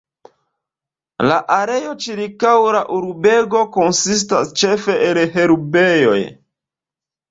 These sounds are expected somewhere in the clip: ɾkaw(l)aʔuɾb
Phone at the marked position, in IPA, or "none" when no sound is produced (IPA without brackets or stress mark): ɾ